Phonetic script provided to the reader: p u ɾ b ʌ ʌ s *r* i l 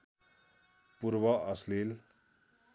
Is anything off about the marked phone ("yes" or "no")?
yes